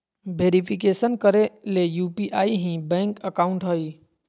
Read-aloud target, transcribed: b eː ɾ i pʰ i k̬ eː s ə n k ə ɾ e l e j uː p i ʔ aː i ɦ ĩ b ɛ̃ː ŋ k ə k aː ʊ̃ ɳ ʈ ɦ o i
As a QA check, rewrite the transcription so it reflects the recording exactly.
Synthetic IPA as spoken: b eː ɾ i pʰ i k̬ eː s ə n k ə ɾ e l e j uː p i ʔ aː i ɦ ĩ b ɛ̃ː ŋ k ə k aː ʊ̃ ɳ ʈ ɦ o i